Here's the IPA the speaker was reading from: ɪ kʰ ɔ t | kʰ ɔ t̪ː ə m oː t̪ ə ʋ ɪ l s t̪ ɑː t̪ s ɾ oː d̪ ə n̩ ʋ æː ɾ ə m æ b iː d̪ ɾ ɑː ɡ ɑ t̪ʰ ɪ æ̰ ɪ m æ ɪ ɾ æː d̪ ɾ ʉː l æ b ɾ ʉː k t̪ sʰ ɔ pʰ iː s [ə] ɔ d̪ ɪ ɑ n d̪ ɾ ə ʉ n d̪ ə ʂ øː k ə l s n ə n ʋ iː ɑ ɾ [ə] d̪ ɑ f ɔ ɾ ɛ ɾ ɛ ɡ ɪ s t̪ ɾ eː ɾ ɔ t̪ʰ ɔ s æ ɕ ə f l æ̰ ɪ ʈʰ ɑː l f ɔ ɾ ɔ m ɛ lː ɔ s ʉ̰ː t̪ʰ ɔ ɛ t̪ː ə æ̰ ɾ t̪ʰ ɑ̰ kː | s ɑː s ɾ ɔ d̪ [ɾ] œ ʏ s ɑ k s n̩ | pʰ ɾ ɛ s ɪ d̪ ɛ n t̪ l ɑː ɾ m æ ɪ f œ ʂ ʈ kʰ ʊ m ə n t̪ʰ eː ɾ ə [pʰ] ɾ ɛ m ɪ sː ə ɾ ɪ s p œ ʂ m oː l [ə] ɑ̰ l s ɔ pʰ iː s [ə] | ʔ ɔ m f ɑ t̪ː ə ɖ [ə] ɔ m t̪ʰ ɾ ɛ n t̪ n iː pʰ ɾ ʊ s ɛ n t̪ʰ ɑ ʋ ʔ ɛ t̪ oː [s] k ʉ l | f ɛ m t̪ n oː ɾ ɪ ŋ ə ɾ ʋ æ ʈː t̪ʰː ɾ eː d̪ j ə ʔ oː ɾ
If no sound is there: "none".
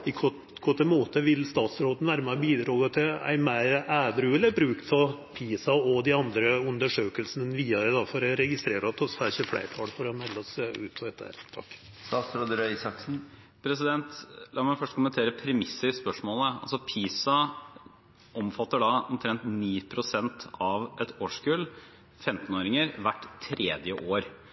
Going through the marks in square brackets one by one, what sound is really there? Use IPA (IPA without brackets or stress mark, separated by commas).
ɑ, ə, ɾ, pʰ, ə, ɑ, ɑ, ʂ